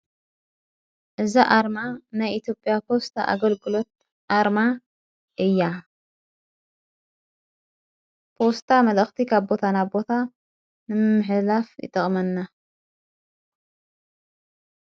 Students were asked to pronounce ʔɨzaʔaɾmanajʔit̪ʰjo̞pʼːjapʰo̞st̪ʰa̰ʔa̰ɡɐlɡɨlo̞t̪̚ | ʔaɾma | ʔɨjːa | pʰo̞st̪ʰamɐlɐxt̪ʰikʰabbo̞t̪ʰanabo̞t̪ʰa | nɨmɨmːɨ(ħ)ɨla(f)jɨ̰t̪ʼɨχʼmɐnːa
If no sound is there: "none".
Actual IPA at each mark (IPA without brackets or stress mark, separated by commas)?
ħ, f